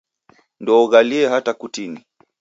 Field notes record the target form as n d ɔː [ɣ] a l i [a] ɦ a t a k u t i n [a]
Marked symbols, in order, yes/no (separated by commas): yes, no, no